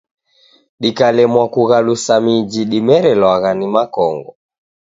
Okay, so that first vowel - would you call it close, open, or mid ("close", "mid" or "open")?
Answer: close